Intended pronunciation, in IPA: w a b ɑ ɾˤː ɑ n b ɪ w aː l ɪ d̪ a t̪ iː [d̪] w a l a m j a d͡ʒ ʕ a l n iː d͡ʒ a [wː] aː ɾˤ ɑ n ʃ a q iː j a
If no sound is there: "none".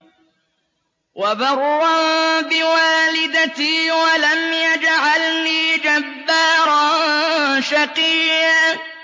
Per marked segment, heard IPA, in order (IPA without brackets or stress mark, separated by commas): none, bː